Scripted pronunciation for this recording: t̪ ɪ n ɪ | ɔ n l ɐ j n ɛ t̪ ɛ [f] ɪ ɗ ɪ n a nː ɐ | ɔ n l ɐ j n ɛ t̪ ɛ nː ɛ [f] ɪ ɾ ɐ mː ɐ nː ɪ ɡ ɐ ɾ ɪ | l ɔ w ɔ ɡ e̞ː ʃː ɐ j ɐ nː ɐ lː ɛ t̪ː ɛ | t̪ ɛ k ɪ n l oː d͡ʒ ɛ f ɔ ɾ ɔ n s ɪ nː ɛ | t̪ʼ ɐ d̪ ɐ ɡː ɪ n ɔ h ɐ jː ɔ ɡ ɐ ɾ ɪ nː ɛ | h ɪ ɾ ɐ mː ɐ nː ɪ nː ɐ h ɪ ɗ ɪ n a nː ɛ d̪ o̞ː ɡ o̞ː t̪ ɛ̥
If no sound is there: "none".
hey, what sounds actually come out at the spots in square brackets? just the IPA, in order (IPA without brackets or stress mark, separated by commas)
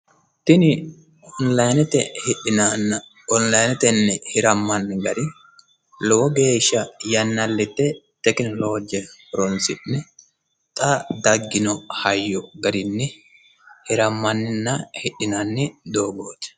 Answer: h, h